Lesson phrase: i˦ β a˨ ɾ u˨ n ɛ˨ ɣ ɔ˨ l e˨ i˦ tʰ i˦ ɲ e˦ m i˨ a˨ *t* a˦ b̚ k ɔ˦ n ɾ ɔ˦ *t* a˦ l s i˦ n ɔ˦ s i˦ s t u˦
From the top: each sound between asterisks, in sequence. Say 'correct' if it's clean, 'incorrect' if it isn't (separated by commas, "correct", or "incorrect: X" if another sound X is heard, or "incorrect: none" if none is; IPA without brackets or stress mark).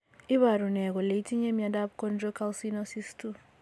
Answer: incorrect: d, incorrect: k